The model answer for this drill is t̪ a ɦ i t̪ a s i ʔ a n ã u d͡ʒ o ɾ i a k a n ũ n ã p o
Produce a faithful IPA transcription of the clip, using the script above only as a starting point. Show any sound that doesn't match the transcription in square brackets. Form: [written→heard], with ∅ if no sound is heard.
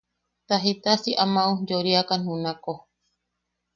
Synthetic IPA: t̪ a ɦ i t̪ a s i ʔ a [n→m] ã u d͡ʒ o ɾ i a k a n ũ n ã [p→k] o